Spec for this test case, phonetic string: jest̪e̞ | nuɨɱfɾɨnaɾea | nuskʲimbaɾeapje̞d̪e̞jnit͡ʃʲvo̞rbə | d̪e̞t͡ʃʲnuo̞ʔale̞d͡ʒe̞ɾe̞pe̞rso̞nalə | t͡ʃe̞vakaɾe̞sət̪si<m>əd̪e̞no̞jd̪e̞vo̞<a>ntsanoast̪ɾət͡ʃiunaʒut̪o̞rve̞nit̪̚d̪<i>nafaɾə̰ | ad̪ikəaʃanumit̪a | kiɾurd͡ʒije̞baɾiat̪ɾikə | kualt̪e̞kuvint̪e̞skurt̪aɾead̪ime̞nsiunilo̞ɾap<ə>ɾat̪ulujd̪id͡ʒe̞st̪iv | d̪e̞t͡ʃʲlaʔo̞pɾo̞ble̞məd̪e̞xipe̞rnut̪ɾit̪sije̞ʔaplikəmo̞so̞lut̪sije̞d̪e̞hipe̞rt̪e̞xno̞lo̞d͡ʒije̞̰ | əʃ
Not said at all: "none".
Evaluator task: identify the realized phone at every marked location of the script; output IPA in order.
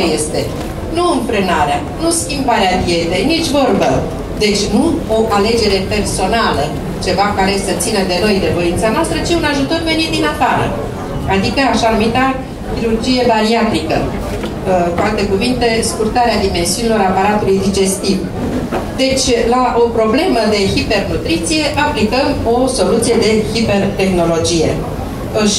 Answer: n, i, i, a

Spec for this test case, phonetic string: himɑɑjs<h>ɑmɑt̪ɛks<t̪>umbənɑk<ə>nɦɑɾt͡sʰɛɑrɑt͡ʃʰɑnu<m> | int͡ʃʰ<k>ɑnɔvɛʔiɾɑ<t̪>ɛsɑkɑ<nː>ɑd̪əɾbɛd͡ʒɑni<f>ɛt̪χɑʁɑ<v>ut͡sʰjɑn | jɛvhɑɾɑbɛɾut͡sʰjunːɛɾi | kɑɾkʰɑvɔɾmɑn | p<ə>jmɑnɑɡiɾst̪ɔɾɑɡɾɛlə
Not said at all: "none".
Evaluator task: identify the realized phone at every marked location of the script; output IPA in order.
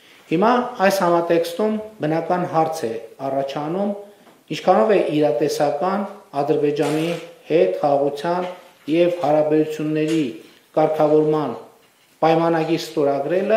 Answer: h, t̪, ɑ, m, kʰ, t̪, n, h, ʁ, ɑ

